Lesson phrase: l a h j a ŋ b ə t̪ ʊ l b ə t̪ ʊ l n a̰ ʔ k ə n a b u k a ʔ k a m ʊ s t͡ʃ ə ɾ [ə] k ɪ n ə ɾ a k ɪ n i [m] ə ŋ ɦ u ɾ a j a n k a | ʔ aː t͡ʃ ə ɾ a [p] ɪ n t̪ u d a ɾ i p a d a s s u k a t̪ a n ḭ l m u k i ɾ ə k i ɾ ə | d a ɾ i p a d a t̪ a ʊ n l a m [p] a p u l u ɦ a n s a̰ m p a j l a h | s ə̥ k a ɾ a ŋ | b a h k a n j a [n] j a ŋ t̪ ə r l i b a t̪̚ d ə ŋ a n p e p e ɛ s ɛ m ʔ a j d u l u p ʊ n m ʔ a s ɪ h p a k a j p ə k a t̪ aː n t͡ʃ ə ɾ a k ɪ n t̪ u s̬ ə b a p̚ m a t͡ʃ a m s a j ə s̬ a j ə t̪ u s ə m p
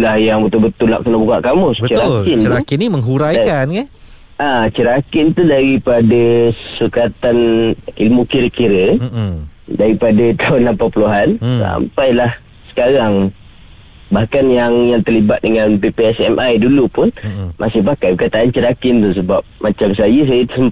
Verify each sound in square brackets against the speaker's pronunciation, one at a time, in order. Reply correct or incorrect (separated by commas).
incorrect, correct, incorrect, correct, incorrect